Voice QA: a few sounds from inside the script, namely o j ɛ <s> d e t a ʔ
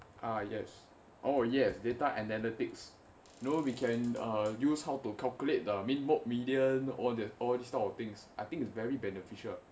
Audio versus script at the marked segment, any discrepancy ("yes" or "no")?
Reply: no